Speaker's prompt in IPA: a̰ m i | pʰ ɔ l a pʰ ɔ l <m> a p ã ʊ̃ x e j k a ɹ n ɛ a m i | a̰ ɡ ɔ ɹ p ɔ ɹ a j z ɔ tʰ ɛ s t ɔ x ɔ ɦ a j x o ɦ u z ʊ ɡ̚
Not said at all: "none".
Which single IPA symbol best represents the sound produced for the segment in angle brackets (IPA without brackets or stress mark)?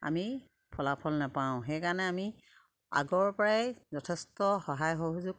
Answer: n